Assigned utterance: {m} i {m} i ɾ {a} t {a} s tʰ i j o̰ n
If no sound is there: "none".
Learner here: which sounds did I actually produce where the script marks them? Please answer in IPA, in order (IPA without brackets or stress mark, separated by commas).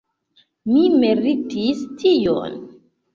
m, m, i, i